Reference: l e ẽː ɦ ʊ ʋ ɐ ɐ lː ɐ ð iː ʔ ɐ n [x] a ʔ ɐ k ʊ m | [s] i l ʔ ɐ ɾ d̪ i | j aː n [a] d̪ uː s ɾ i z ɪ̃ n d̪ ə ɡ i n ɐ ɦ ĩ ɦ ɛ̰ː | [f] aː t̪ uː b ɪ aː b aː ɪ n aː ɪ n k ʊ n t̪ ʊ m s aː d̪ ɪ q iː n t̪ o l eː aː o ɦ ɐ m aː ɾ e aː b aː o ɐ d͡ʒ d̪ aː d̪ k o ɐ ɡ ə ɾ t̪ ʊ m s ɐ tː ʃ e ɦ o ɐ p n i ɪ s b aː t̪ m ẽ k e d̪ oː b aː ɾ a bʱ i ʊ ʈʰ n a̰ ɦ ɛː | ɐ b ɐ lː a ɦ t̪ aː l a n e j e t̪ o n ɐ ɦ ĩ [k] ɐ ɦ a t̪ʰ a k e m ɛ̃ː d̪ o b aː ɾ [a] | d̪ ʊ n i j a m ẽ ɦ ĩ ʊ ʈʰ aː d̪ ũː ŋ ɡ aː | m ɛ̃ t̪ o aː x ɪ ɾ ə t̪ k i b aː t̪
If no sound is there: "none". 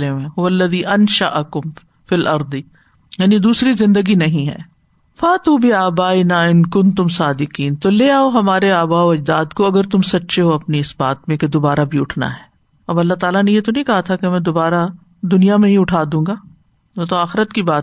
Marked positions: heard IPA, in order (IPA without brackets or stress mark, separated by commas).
ʃ, f, i, f, k, a